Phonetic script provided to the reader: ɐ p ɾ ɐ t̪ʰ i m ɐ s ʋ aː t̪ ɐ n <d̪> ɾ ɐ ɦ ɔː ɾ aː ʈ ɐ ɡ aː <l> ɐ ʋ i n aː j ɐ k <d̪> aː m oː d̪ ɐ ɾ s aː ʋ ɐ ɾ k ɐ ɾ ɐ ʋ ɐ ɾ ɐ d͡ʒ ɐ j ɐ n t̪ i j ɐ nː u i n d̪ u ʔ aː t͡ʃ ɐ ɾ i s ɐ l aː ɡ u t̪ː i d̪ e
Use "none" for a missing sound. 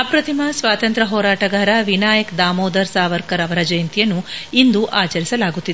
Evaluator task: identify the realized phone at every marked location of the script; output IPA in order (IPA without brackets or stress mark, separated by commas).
t̪, ɾ, d̪